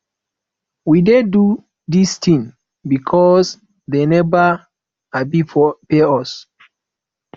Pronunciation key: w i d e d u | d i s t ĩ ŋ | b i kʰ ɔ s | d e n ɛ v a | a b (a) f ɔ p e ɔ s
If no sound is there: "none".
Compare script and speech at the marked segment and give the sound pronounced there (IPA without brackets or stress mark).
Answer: i